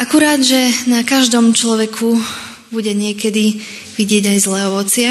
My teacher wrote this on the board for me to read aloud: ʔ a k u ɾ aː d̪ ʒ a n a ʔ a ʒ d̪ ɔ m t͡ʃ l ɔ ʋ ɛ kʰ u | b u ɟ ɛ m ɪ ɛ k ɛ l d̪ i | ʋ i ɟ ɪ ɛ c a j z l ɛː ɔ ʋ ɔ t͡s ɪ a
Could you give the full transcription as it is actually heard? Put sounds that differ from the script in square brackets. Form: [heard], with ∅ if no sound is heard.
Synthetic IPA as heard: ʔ a k u ɾ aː d̪ ʒ [ɛ] n a [k] a ʒ d̪ ɔ m t͡ʃ l ɔ ʋ ɛ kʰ u | b u ɟ ɛ [ɲ] ɪ ɛ k ɛ [∅] d̪ i | ʋ i ɟ ɪ ɛ [ɟ] a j z l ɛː ɔ ʋ ɔ t͡s ɪ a